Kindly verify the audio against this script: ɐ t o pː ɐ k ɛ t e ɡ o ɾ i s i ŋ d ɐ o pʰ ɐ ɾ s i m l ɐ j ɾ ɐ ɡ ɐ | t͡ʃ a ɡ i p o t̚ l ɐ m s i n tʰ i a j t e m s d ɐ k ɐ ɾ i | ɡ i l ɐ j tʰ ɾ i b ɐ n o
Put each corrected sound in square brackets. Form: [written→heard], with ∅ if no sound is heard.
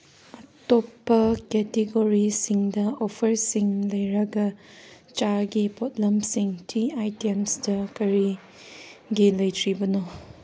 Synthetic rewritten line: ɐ t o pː ɐ k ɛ t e ɡ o ɾ i s i ŋ d ɐ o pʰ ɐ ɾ s i [m→ŋ] l ɐ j ɾ ɐ ɡ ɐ | t͡ʃ a ɡ i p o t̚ l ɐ m s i [n→ŋ] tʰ i a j t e m s d ɐ k ɐ ɾ i | ɡ i l ɐ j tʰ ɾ i b ɐ n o